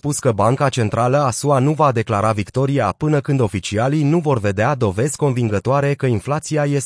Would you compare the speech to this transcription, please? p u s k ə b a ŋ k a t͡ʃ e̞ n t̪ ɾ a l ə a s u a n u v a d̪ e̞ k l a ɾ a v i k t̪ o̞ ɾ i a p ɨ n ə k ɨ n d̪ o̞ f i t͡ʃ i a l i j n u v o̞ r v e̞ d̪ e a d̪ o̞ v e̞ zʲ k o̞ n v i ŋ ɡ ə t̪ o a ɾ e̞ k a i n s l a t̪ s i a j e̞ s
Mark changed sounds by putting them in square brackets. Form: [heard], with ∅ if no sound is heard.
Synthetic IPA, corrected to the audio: p u s k ə b a ŋ k a t͡ʃ e̞ n t̪ ɾ a l ə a s u a n u v a d̪ e̞ k l a ɾ a v i k t̪ o̞ ɾ i a p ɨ n ə k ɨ n d̪ o̞ f i t͡ʃ i a l i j n u v o̞ r v e̞ d̪ e a d̪ o̞ v e̞ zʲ k o̞ n v i ŋ ɡ ə t̪ o a ɾ e̞ k [ə] i n [f] l a t̪ s i a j e̞ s